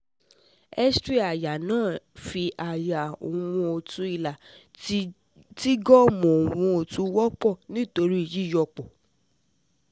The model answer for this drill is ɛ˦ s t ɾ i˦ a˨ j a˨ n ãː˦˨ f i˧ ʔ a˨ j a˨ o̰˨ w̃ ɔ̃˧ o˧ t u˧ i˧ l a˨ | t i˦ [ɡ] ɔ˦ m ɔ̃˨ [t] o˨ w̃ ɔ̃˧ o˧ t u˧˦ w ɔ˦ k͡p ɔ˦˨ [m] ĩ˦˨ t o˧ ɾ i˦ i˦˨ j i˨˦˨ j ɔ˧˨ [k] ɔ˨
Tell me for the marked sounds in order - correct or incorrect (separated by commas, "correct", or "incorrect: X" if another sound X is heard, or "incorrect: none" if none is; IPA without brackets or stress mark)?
correct, incorrect: none, incorrect: n, incorrect: k͡p